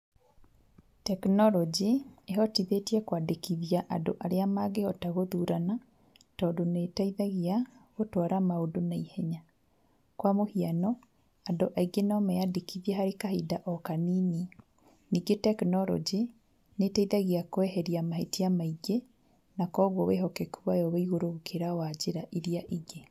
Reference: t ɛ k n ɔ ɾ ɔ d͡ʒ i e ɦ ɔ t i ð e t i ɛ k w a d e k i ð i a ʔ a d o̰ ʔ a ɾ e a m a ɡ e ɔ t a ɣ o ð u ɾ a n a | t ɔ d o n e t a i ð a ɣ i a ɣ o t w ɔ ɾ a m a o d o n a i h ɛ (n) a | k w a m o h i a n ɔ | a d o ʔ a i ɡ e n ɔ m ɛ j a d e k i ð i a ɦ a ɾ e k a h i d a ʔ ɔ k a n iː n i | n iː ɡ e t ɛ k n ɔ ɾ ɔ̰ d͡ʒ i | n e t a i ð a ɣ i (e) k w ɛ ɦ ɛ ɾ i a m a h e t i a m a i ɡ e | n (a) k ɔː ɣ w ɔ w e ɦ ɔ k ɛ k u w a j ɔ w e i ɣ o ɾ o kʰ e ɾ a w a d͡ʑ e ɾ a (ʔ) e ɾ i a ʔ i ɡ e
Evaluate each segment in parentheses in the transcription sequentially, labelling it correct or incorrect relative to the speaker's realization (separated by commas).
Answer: incorrect, incorrect, correct, correct